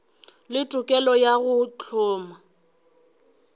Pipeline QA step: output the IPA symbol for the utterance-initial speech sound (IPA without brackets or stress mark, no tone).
l